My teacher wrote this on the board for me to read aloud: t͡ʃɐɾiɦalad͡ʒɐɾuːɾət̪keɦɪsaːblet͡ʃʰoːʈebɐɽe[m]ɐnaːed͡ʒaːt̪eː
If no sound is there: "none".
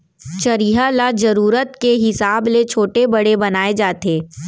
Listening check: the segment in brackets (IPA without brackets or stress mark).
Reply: b